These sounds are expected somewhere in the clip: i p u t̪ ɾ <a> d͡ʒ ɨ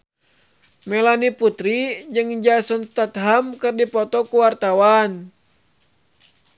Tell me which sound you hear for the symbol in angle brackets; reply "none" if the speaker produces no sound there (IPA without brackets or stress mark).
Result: i